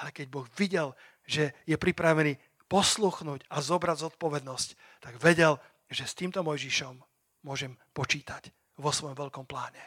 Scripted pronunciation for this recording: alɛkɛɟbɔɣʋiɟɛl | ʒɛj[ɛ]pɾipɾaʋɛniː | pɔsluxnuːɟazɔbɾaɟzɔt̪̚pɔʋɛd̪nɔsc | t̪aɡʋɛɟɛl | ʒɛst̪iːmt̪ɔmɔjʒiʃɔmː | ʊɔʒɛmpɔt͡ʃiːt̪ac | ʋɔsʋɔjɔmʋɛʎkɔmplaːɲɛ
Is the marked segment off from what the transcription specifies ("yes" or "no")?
no